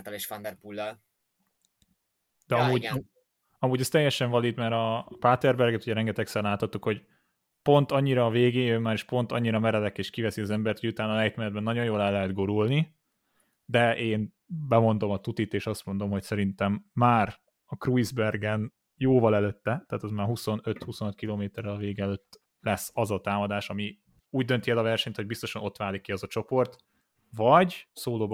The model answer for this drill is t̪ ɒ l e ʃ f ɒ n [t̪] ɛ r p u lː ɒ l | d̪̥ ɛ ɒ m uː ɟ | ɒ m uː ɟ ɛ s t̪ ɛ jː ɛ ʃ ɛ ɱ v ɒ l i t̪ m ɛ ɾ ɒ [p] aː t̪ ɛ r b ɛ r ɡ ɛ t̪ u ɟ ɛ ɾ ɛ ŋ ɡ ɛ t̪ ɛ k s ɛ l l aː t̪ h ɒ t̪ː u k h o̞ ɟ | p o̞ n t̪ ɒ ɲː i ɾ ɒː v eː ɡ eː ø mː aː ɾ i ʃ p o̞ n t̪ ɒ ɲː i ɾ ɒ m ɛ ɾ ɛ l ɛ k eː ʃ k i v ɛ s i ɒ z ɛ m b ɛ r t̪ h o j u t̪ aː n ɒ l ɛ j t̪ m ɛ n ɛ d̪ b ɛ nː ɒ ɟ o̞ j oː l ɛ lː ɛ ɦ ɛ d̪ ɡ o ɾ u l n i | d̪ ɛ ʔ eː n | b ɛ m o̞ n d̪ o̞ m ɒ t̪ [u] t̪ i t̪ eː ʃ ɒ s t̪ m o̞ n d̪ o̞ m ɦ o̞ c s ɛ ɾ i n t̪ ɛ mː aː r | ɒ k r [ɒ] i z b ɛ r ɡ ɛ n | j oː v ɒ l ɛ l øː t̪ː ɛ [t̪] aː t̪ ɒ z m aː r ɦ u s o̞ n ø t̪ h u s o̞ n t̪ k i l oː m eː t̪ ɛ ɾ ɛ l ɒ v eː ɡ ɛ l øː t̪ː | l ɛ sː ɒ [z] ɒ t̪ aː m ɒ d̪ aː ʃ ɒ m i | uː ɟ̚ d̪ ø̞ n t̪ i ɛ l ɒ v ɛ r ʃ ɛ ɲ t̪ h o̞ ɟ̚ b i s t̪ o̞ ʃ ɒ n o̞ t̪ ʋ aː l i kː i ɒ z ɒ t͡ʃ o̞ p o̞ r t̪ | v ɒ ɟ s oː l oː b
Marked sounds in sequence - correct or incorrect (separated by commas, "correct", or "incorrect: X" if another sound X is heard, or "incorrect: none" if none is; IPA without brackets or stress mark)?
incorrect: d̪, correct, correct, incorrect: u, correct, correct